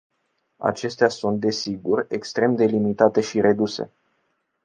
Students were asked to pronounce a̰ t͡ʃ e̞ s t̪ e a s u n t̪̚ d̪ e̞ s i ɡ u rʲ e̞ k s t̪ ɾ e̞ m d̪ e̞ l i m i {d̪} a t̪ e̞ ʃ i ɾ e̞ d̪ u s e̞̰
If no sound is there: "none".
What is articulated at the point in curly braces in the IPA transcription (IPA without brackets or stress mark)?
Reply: t̪